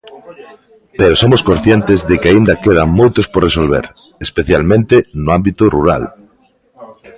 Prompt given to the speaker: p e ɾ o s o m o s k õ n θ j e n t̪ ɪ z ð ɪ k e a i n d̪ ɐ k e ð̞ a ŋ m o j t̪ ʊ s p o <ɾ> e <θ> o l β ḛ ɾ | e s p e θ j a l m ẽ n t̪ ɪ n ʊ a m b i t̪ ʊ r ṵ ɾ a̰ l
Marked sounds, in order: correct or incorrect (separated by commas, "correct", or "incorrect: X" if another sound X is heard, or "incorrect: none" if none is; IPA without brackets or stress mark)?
incorrect: r, incorrect: s